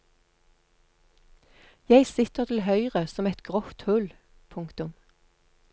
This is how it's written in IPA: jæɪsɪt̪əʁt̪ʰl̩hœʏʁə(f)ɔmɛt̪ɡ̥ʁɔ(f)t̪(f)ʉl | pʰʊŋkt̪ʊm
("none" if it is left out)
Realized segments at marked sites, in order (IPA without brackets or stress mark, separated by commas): s, f, h